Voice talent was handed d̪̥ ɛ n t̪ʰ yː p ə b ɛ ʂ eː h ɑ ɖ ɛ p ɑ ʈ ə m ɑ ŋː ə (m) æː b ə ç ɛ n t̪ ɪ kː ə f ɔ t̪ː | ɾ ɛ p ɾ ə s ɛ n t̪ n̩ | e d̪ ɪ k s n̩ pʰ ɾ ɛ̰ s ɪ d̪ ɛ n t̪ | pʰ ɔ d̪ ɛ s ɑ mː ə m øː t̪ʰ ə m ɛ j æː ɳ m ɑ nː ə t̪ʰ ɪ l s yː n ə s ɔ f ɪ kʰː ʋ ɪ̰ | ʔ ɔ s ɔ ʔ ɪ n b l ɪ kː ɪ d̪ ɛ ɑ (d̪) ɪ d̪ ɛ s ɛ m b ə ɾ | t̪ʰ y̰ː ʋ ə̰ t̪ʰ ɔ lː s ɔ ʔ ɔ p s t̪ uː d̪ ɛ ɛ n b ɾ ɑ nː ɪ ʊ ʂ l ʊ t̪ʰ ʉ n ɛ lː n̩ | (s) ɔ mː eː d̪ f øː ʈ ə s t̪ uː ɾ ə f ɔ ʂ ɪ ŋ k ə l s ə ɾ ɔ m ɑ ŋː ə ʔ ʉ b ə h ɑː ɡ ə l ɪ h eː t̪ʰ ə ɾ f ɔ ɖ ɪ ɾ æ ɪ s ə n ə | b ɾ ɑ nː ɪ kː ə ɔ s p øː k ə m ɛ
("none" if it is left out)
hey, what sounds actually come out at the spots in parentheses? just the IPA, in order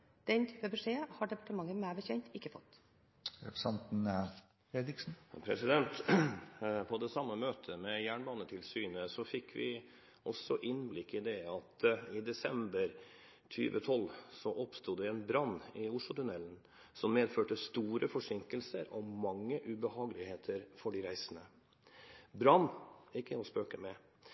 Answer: m, t̪, s

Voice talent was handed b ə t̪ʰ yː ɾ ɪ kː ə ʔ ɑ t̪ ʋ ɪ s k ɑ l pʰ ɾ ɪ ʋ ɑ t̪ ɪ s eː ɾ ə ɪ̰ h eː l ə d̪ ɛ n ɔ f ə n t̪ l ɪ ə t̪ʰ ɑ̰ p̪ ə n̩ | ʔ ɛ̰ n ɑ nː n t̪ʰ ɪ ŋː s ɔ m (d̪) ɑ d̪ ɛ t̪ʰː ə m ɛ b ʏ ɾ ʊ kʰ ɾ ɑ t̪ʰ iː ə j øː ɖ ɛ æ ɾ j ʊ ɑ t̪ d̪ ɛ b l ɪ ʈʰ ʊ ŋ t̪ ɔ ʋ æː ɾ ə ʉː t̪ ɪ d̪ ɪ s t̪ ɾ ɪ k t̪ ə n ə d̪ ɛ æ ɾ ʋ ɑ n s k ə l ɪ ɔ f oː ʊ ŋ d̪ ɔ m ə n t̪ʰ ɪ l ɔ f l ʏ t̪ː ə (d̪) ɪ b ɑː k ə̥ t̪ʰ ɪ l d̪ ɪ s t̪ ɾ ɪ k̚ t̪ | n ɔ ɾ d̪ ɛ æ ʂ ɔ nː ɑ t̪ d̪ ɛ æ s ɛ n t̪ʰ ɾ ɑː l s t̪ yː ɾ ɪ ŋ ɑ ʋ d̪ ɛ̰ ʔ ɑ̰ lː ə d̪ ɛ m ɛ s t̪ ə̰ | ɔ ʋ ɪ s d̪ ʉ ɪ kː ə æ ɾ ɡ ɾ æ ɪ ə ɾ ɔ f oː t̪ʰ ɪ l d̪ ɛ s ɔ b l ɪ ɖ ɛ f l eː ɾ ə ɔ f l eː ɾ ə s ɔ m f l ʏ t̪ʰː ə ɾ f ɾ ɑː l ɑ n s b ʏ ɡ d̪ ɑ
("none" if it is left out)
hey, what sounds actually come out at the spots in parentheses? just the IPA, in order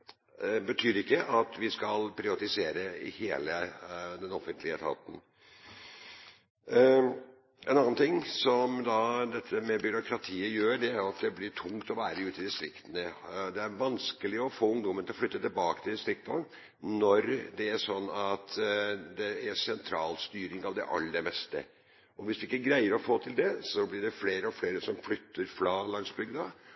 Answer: d̪, t̪

